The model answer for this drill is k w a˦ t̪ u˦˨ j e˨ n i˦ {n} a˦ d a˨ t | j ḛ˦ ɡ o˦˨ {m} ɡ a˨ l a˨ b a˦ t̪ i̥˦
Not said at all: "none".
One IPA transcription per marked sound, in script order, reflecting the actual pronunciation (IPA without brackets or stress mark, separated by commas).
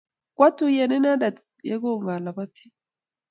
n, ŋ